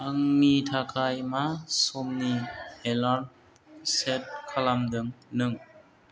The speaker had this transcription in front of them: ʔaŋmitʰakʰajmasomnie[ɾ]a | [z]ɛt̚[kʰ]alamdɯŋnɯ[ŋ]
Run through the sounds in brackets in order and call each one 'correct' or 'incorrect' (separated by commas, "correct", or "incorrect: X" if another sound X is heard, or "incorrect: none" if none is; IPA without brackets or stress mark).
incorrect: l, incorrect: s, correct, correct